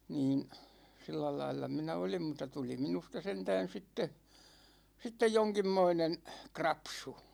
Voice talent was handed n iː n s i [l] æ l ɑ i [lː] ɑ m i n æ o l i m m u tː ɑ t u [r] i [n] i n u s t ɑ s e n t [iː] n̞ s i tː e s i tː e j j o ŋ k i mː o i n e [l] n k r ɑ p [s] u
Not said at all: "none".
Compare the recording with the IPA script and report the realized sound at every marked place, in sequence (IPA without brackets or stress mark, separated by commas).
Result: lː, lː, l, m, æː, none, s